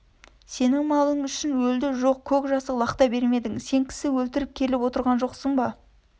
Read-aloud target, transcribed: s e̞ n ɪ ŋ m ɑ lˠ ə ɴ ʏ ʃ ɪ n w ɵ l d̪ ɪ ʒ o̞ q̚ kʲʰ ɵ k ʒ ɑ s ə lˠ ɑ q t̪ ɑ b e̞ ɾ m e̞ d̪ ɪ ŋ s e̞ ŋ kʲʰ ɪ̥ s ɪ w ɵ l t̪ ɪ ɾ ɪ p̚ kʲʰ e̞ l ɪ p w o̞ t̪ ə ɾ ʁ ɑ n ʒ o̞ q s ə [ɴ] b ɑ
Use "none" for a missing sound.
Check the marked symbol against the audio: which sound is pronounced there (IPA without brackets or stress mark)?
ɴ